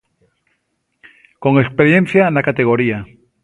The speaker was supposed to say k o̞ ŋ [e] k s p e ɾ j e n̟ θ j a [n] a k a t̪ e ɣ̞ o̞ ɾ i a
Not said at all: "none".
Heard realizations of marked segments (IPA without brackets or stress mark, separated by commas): e, n